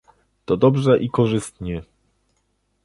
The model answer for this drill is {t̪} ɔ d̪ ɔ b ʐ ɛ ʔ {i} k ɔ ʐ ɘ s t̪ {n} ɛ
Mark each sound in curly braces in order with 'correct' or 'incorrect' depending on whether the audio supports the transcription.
correct, correct, incorrect: ɲ

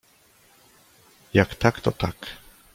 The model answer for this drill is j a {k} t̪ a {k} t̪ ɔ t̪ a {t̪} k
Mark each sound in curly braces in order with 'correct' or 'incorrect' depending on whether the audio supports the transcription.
correct, correct, incorrect: none

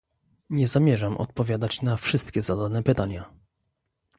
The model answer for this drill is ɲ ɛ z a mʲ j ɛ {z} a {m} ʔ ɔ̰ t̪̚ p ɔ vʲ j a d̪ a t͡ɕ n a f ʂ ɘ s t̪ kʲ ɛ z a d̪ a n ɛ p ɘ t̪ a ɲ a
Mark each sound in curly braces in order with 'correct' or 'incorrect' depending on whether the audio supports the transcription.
incorrect: ʐ, correct

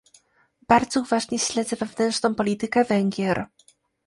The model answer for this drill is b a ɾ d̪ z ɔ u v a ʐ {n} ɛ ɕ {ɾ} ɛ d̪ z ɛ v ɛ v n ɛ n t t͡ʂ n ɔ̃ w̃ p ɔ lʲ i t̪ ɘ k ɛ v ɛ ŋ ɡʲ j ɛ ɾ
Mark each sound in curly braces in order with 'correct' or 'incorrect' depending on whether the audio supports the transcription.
incorrect: ɲ, incorrect: l

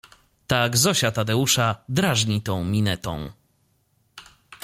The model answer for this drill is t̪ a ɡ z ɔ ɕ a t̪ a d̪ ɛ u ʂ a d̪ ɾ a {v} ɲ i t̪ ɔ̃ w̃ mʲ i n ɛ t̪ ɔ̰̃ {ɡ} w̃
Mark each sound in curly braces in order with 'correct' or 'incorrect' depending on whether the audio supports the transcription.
incorrect: ʐ, incorrect: none

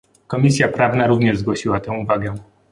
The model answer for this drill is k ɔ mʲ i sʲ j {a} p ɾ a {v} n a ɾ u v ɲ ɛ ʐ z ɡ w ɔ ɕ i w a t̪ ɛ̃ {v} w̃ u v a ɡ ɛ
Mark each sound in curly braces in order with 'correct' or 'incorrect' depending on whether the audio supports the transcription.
correct, correct, incorrect: none

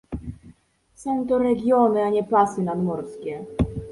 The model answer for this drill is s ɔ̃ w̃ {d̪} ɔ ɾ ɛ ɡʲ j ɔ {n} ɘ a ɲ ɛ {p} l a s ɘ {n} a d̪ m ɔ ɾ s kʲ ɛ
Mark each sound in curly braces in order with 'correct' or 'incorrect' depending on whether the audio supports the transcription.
incorrect: t̪, correct, correct, correct

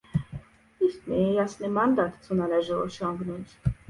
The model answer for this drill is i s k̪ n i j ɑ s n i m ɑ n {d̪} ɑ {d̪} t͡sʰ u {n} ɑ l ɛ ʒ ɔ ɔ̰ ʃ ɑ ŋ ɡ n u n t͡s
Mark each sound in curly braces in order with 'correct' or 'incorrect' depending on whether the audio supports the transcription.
correct, incorrect: t̪, correct

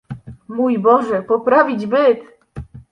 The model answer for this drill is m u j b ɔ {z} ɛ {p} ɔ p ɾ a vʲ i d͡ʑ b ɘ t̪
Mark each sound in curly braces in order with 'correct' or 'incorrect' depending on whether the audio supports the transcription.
incorrect: ʐ, correct

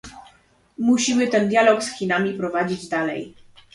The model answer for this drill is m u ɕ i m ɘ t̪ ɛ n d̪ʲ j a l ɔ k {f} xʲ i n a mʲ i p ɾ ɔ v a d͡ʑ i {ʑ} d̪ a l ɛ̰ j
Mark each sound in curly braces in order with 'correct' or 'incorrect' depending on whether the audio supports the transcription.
incorrect: s, incorrect: d͡ʑ

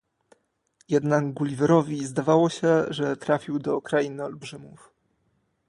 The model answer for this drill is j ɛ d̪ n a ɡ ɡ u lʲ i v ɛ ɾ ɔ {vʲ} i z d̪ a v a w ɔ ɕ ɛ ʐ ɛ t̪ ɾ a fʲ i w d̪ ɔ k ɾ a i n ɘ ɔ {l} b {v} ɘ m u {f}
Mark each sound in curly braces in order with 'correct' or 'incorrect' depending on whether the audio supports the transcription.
correct, correct, incorrect: ʐ, correct

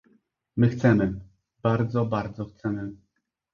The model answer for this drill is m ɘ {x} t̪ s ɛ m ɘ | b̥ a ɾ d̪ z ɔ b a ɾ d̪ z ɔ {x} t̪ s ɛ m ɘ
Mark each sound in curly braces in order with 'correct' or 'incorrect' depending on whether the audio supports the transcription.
correct, correct

